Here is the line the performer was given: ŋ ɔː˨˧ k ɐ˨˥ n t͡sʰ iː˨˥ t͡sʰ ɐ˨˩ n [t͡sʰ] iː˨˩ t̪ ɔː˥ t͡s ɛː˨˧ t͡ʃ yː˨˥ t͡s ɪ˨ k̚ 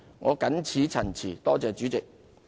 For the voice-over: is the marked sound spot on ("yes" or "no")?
yes